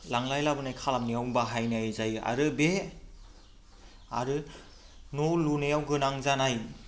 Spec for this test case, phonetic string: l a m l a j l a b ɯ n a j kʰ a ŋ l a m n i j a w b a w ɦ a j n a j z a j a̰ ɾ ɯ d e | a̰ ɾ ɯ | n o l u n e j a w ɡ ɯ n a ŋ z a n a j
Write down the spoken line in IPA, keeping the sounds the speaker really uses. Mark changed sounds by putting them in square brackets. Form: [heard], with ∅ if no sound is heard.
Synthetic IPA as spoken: l a [ŋ] l a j l a b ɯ n a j kʰ a [∅] l a m n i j a w b a [∅] ɦ a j n a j z a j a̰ ɾ ɯ [b] e | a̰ ɾ ɯ | n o l u n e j a w ɡ ɯ n a ŋ z a n a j